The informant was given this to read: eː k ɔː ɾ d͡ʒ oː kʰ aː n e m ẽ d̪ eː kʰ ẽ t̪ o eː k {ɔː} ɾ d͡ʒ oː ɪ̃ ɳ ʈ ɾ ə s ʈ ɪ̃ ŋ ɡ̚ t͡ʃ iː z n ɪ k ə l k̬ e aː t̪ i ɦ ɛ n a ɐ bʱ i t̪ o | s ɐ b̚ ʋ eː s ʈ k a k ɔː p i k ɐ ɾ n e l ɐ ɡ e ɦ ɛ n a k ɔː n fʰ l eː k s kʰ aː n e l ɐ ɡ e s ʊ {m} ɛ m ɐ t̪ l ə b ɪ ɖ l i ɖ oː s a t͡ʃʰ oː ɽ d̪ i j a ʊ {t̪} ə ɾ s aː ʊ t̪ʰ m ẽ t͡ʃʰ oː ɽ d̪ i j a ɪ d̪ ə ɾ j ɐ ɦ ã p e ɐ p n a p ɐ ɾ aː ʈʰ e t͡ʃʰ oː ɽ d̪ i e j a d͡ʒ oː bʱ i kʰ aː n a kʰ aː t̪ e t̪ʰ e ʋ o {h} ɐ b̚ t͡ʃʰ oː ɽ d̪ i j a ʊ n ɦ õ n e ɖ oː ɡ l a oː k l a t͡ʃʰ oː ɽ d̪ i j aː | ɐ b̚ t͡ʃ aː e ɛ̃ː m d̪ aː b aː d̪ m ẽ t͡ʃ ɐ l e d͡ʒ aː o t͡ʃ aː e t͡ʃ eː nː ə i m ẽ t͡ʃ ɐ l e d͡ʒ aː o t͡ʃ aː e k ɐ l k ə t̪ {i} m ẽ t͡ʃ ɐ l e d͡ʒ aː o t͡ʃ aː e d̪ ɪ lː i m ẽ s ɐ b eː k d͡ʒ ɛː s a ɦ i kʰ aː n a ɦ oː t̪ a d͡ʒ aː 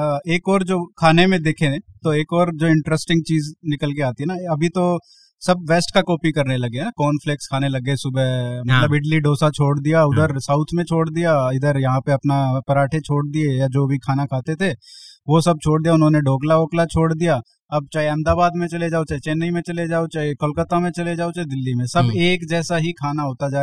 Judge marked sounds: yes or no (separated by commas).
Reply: yes, no, no, no, no